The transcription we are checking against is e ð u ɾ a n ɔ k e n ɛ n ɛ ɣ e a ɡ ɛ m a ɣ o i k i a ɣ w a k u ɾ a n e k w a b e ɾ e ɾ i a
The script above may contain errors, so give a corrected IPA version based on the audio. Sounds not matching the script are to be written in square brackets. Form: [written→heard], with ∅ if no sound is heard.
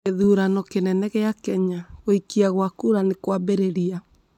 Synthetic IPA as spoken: e ð u ɾ a n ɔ k e n ɛ n ɛ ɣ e a [ɡ→k] ɛ [m→ɲ] a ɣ o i k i a ɣ w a k u ɾ a n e k w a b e ɾ e ɾ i a